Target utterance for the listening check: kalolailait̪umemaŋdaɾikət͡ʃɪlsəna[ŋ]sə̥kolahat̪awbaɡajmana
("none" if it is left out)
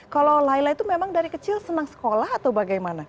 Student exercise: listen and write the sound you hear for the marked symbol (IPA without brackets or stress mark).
ŋ